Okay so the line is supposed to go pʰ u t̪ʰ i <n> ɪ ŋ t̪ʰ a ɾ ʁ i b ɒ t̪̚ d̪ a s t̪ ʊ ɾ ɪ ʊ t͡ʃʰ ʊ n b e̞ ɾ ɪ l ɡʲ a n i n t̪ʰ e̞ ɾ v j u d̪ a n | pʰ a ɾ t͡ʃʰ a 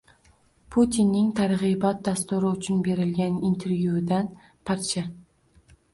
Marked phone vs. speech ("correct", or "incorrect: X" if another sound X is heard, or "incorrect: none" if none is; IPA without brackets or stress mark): incorrect: nː